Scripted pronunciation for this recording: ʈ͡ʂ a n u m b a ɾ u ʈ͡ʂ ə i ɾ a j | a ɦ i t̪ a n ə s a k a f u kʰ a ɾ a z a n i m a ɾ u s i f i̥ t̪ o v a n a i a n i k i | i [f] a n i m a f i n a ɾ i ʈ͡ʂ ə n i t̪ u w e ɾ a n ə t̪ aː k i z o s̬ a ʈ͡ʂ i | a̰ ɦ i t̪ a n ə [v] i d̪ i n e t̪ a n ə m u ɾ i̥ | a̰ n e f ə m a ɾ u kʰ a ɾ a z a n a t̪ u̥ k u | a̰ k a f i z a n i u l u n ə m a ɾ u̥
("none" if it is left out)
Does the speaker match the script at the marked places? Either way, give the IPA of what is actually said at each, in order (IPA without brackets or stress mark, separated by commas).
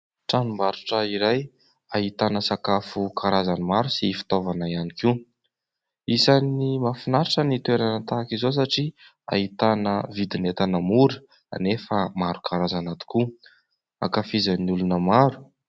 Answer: s, v